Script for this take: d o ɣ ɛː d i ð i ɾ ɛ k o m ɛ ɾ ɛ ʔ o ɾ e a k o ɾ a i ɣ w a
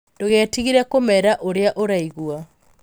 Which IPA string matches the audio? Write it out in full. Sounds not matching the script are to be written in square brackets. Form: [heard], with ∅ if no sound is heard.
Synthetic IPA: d o ɣ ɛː [t] i [ɣ] i ɾ ɛ k o m ɛ ɾ [a] ʔ o ɾ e a [ʔ] o ɾ a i ɣ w a